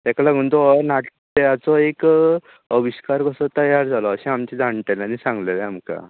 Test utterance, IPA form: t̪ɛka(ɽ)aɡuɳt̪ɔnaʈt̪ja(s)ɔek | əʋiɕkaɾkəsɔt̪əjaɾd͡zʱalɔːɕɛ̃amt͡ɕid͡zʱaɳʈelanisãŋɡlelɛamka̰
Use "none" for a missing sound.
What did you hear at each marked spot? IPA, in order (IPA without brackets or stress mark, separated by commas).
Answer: l, t͡s